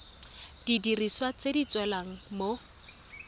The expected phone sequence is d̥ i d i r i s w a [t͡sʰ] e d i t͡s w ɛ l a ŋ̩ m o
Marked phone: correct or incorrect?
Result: incorrect: t͡s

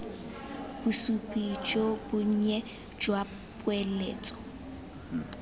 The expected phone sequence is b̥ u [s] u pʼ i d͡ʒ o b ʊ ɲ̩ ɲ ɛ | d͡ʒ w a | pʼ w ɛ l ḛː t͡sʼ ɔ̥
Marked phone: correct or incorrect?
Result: correct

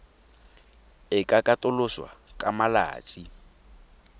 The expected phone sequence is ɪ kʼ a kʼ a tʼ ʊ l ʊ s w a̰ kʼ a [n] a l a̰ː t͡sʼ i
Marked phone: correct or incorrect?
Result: incorrect: m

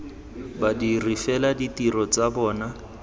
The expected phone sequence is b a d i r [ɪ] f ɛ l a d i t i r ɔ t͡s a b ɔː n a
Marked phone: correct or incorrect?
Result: incorrect: i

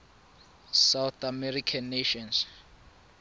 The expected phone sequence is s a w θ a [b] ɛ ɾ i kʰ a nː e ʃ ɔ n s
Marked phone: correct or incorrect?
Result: incorrect: m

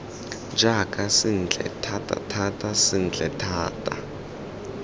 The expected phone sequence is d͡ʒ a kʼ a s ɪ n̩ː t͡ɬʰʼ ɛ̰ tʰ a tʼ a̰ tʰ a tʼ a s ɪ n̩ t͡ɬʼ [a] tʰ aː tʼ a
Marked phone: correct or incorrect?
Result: incorrect: ɛ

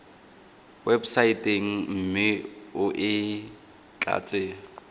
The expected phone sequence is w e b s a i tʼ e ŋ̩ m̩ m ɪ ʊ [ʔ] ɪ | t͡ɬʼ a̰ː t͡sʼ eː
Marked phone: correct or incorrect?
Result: correct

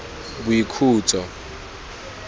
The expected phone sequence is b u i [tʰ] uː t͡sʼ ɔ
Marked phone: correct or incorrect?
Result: incorrect: kʰ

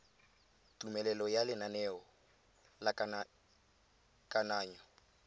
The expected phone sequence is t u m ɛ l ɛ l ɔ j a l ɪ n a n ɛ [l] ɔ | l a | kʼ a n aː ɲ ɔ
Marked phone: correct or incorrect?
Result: incorrect: none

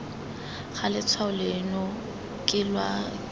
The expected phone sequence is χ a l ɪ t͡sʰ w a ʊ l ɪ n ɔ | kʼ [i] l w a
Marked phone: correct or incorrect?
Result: incorrect: ɪ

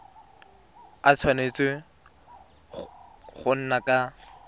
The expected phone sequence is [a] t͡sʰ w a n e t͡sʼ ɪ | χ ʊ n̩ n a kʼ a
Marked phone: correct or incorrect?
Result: correct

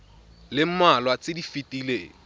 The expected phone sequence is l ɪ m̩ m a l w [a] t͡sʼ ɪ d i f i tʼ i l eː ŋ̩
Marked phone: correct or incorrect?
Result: correct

